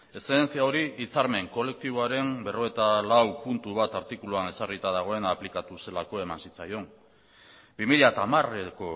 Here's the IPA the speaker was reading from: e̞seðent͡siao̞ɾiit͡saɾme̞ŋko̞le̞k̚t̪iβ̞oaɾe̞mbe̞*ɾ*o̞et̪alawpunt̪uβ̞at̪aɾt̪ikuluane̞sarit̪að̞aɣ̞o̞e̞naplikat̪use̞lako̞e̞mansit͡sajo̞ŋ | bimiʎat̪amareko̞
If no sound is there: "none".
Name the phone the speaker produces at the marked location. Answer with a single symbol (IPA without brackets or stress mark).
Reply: r